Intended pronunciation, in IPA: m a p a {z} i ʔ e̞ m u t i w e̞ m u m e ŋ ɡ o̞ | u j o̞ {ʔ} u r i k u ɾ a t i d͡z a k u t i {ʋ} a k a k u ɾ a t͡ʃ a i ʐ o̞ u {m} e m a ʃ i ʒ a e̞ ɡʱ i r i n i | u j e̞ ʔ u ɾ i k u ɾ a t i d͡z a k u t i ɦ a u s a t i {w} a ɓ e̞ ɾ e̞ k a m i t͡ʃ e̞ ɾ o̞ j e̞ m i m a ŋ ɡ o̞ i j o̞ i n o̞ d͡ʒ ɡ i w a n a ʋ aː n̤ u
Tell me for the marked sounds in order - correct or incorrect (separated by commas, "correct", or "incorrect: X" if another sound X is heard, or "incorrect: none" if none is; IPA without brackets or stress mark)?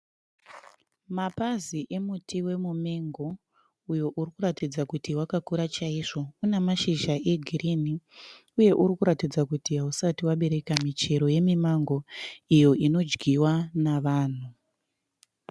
correct, correct, incorrect: w, incorrect: n, correct